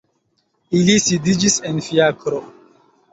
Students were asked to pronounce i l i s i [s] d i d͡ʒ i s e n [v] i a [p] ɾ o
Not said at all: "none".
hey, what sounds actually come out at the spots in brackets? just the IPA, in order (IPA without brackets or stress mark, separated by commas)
none, f, k